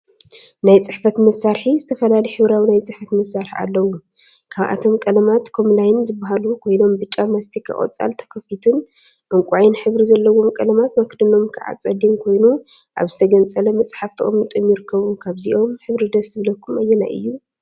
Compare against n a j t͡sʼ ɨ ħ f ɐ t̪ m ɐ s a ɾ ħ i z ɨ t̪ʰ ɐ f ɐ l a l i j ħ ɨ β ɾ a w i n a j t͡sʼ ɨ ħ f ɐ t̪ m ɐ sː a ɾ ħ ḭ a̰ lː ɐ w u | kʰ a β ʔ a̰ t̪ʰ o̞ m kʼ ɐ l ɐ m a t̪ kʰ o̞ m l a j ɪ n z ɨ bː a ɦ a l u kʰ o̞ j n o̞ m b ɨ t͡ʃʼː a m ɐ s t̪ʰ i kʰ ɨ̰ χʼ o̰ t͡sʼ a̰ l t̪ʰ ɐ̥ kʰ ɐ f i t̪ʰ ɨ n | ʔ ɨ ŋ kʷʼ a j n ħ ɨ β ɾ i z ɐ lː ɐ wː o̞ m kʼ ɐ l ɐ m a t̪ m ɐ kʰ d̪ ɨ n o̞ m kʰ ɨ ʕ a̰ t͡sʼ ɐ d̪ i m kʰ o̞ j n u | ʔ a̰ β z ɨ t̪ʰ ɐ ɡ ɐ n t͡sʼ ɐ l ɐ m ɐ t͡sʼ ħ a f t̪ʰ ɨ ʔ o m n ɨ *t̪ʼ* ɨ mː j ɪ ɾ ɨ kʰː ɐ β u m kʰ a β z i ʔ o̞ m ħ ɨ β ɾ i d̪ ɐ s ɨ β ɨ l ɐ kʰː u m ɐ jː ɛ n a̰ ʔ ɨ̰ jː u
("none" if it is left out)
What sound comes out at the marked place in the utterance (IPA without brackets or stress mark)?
t̪ʼ